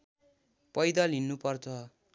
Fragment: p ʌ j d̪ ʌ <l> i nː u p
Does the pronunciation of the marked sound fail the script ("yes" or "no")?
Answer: no